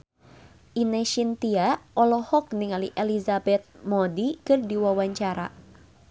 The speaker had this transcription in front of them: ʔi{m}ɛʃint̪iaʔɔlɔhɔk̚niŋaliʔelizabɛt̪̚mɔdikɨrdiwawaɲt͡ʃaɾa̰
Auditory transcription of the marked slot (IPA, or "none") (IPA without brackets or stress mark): n